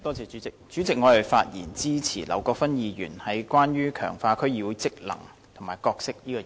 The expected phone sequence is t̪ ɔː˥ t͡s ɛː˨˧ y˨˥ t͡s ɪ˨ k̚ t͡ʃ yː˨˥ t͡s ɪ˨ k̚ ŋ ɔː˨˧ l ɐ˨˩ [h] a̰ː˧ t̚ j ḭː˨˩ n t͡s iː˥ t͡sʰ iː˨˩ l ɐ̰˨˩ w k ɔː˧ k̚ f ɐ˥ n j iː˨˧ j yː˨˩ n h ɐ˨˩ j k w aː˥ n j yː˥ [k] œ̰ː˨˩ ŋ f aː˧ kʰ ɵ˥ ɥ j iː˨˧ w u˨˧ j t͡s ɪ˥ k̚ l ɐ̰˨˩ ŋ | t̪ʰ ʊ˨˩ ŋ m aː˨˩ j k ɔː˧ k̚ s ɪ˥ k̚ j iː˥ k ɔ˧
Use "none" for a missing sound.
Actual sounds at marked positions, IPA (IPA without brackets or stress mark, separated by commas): f, kʰ